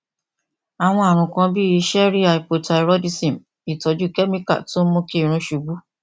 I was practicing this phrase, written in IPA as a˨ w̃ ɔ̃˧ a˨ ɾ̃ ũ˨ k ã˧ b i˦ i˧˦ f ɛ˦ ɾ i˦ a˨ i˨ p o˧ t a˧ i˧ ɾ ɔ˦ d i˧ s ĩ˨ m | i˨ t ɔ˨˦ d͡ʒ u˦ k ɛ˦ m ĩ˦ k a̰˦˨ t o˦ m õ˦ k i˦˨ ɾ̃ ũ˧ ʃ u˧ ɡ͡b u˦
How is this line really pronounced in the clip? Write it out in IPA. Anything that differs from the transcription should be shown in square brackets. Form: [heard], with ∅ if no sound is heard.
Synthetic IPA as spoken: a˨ w̃ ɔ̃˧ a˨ ɾ̃ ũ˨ k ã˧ b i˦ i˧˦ [ʃ] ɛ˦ ɾ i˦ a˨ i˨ p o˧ t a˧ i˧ ɾ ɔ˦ d i˧ s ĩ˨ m | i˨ t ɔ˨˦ d͡ʒ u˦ k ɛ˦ m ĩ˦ k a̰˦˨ t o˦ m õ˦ k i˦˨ ɾ̃ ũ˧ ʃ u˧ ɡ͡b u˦